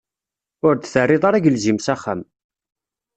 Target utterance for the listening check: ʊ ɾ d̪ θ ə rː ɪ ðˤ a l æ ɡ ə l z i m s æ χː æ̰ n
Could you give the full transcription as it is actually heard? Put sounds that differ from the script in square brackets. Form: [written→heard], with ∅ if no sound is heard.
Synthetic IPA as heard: ʊ ɾ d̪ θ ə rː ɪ ðˤ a [l→ɾ] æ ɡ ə l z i m s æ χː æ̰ [n→m]